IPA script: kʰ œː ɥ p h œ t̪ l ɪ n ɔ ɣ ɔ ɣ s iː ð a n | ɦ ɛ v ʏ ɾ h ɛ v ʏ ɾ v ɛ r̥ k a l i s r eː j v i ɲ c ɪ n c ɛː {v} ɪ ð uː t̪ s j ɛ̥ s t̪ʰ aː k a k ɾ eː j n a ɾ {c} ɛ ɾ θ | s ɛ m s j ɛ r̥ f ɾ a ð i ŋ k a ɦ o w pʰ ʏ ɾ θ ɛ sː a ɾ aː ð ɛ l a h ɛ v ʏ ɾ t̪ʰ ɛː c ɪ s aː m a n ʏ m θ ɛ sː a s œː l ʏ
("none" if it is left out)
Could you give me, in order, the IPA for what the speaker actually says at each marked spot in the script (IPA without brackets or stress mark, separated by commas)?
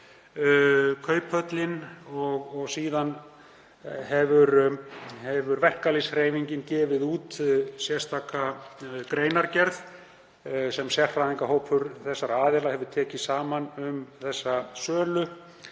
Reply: v, c